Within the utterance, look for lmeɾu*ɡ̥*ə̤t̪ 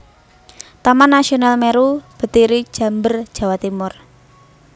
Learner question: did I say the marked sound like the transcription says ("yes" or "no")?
no